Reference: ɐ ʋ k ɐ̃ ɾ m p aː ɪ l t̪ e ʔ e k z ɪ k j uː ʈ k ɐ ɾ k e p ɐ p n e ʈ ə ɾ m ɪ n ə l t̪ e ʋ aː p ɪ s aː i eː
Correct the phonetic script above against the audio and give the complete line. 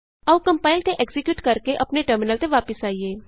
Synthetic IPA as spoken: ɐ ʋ k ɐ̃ m p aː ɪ l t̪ e ʔ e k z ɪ k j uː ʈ k ɐ ɾ k e ʔ ɐ p n e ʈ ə ɾ m ɪ n ə l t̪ e ʋ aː p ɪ s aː i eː

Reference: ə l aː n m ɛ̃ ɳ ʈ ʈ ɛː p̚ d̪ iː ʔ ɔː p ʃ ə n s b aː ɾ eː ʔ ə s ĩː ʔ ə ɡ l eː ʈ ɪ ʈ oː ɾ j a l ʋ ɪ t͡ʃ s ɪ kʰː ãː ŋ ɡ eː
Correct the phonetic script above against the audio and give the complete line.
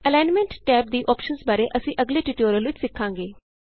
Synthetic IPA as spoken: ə l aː n m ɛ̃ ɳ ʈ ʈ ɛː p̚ d̪ iː ʔ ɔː p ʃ ə n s b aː ɾ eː ʔ ə s ĩː ʔ ə ɡ l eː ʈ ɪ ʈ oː ɾ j ə l ʋ ɪ t͡ʃ s ɪ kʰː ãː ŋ ɡ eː

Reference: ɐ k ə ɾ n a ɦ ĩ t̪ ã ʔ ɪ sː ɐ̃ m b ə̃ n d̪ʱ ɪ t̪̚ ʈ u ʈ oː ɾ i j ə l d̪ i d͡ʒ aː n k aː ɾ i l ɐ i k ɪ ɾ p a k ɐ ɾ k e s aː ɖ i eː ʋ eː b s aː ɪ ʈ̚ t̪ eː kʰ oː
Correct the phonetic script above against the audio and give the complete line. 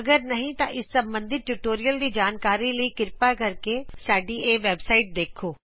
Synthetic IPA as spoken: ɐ ɡ ə ɾ n ɐ ɦ ĩ t̪ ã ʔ ɪ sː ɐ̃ m b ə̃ n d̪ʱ ɪ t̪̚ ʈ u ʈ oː ɾ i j ə l d̪ i d͡ʒ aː n k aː ɾ i l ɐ i k ɪ ɾ p a k ɐ ɾ k e s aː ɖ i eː ʋ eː b s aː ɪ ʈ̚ d̪ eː kʰ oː

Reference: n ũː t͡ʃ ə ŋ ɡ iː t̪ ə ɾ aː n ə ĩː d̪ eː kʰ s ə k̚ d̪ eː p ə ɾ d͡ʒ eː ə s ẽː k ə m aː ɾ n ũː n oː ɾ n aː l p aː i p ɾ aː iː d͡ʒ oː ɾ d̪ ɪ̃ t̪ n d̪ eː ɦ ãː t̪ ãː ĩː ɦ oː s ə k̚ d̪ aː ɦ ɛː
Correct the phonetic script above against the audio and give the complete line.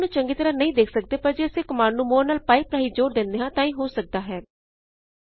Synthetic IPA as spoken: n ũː t͡ʃ ə ŋ ɡ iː t̪ ə ɾ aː n ə ĩː d̪ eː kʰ s ə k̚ d̪ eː p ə ɾ d͡ʒ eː ə s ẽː k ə m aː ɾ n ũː m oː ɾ n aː l p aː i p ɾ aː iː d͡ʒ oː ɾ d̪ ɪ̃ n d̪ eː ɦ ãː t̪ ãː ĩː ɦ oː s ə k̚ d̪ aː ɦ ɛː

